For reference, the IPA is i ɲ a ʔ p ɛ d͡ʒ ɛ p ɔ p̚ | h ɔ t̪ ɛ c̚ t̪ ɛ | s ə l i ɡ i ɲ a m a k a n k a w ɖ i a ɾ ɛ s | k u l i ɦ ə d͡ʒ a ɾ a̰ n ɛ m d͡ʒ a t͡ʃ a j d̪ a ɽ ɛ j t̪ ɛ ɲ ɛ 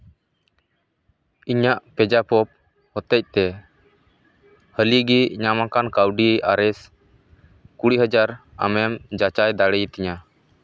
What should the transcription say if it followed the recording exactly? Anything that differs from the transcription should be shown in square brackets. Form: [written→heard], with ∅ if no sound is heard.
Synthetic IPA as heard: i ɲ a ʔ p ɛ d͡ʒ [ɛ→a] p ɔ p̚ | h ɔ t̪ ɛ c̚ t̪ ɛ | [s→h] ə l i ɡ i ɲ a m a k a n k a w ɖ i a ɾ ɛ s | k u [l→ɽ] i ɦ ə d͡ʒ a ɾ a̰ [n→m] ɛ m d͡ʒ a t͡ʃ a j d̪ a ɽ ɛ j t̪ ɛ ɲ [ɛ→a]

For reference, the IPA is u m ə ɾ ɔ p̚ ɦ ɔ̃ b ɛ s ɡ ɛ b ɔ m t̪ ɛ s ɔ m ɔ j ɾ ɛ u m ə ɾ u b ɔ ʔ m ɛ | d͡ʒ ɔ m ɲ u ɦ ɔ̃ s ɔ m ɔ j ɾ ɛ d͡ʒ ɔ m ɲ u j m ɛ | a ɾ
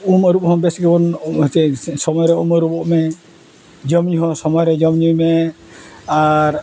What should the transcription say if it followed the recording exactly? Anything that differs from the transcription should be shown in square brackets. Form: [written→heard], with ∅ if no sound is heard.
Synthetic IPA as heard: u m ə ɾ [ɔ→u] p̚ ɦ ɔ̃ b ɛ s ɡ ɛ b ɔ [m→n] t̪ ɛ s ɔ m ɔ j ɾ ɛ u m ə ɾ u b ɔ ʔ m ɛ | d͡ʒ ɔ m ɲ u ɦ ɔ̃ s ɔ m ɔ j ɾ ɛ d͡ʒ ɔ m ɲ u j m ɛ | a ɾ

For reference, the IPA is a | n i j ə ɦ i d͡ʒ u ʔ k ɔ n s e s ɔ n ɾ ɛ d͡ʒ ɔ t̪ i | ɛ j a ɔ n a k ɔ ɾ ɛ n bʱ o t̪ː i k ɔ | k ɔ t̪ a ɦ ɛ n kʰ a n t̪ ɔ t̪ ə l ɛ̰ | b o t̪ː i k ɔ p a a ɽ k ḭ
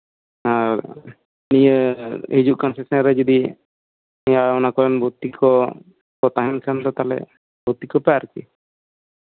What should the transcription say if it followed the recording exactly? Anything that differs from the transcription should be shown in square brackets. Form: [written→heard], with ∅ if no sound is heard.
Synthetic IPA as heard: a | n i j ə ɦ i d͡ʒ u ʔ k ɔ n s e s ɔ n ɾ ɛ d͡ʒ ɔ [t̪→d̪] i | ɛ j a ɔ n a k ɔ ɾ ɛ n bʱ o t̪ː i k ɔ | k ɔ t̪ a ɦ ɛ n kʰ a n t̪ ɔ t̪ [ə→a] l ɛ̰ | b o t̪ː i k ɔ p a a [ɽ→ɾ] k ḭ

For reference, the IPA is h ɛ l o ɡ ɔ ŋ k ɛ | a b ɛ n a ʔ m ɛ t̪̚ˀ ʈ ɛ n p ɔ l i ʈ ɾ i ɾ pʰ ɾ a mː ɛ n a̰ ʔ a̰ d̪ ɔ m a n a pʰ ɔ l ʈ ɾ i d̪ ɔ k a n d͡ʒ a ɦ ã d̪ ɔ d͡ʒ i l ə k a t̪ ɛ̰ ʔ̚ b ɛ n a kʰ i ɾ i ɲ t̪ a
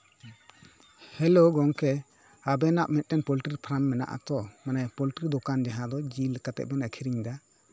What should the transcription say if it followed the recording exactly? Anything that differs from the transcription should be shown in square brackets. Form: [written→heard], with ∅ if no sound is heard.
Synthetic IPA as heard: h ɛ l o ɡ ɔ ŋ k ɛ | a b ɛ n a ʔ m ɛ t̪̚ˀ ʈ ɛ n p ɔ l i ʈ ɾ i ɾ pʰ ɾ a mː ɛ n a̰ ʔ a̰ [d̪→t̪] ɔ m a n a [pʰ→p] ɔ l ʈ ɾ i d̪ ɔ k a n d͡ʒ a ɦ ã d̪ ɔ d͡ʒ i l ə k a t̪ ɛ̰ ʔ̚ b ɛ n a kʰ i ɾ i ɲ [t̪→d̪] a

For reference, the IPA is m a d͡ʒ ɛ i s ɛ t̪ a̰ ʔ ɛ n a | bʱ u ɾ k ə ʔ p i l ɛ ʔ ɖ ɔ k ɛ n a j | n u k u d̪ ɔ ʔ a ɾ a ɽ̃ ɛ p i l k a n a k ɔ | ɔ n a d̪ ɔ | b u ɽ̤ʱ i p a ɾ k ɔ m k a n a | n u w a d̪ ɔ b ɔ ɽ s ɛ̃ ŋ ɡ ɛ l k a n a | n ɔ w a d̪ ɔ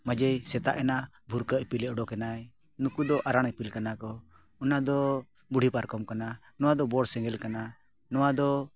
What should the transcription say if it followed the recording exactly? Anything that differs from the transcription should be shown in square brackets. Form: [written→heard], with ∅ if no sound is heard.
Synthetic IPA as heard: m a d͡ʒ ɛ [i→j] s ɛ t̪ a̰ ʔ ɛ n a | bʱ u ɾ k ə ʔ p i l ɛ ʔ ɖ ɔ k ɛ n a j | n u k u d̪ ɔ ʔ a ɾ a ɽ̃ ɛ p i l k a n a k ɔ | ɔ n a d̪ ɔ | b u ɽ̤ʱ i p a ɾ k ɔ m k a n a | n [u→ɔ] w a d̪ ɔ b ɔ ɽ s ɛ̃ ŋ ɡ ɛ l k a n a | n ɔ w a d̪ ɔ

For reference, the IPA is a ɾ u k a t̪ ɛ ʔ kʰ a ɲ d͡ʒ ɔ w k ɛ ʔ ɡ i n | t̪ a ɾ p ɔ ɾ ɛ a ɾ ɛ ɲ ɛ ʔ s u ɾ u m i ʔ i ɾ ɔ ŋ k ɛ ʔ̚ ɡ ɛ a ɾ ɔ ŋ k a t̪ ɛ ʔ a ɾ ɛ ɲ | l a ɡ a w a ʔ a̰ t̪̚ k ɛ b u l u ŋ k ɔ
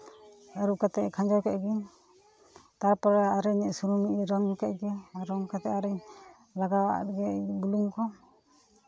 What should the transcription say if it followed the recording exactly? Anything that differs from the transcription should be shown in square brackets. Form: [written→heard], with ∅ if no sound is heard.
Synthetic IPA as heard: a ɾ u k a t̪ ɛ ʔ kʰ a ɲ d͡ʒ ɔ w k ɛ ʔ ɡ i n | t̪ a ɾ p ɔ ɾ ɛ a ɾ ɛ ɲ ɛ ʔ s u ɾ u m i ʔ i ɾ ɔ ŋ k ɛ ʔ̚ ɡ ɛ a ɾ ɔ ŋ k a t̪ ɛ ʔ a ɾ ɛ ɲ | l a ɡ a w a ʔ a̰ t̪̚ [k→ɡ] ɛ b u l u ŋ k ɔ

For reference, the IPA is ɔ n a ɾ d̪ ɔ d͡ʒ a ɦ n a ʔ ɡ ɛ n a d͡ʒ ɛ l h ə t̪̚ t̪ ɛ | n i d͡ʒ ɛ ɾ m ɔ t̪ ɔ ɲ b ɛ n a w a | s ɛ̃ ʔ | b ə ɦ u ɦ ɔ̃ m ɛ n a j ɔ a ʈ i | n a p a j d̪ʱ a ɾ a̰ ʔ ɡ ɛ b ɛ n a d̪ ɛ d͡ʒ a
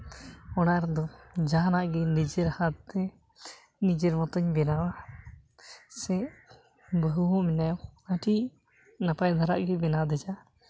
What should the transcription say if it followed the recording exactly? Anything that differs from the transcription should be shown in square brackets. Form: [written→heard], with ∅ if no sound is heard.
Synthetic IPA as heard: ɔ n a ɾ d̪ ɔ d͡ʒ a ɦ n a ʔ ɡ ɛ n [a→i] d͡ʒ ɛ [l→ɾ] h [ə→a] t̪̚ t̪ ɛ | n i d͡ʒ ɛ ɾ m ɔ t̪ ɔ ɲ b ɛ n a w a | s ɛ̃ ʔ | b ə ɦ u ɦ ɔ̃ m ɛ n a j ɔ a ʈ i | n a p a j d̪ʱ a ɾ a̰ ʔ ɡ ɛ b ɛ n a d̪ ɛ d͡ʒ a

